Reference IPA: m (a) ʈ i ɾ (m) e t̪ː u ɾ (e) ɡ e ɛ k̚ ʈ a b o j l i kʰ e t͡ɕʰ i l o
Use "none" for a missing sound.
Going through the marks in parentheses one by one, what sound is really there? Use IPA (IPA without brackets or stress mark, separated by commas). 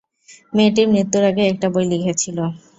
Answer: e, n, a